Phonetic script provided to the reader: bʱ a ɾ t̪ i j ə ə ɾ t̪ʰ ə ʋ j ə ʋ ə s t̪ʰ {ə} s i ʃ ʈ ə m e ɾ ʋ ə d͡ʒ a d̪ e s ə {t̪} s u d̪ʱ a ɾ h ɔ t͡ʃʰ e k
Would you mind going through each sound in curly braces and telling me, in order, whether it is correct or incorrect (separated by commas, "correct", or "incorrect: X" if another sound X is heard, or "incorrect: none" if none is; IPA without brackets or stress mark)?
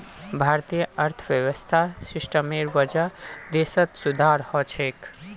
incorrect: a, correct